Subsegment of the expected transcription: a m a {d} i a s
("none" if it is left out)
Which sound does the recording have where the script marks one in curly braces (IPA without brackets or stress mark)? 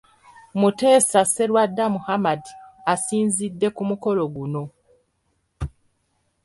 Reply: d